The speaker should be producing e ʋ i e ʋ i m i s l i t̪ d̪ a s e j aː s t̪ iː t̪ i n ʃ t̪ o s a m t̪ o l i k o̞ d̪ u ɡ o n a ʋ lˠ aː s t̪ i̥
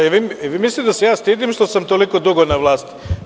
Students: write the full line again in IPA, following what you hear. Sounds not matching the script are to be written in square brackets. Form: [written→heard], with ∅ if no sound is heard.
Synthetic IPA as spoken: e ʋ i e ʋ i m i s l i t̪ d̪ a s e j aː s t̪ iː [t̪→d̪] i [n→m] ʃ t̪ o s a m t̪ o l i k o̞ d̪ u ɡ o n a ʋ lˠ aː s t̪ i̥